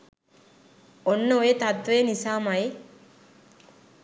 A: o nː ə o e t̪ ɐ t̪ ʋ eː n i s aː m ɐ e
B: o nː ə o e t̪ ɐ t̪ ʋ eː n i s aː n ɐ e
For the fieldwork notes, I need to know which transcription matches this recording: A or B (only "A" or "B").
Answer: A